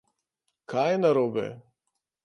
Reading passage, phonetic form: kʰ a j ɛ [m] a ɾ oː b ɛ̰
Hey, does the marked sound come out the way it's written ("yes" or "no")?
no